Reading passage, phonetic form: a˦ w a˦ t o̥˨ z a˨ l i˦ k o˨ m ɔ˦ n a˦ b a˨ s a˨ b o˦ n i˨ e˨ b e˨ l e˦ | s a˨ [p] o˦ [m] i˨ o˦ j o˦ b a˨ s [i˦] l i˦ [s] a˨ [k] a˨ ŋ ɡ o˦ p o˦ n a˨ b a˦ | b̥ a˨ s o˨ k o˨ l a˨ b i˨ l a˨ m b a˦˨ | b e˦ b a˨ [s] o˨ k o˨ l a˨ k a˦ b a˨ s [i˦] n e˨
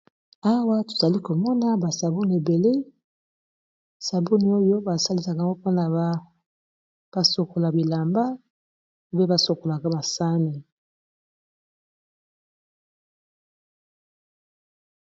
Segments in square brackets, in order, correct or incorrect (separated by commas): incorrect, incorrect, incorrect, correct, correct, correct, incorrect